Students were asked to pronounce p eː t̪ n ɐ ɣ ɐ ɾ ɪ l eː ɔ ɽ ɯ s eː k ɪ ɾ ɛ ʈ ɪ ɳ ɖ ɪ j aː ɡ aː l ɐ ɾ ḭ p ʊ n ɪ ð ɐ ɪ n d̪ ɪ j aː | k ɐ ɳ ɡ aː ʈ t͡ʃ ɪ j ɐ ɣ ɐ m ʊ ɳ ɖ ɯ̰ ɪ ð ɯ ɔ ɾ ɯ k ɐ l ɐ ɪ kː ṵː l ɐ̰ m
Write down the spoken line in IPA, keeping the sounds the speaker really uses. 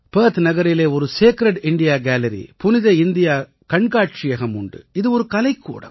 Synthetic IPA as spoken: p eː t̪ n ɐ ɣ ɐ ɾ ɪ l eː ɔ ɾ ɯ s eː k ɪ ɾ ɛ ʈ ɪ ɳ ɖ ɪ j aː ɡ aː l ɐ ɾ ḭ p ʊ n ɪ ð ɐ ɪ n d̪ ɪ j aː | k ɐ ɳ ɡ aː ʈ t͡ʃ ɪ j ɐ ɣ ɐ m ʊ ɳ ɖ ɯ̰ ɪ ð ɯ ɔ ɾ ɯ k ɐ l ɐ ɪ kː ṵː ɽ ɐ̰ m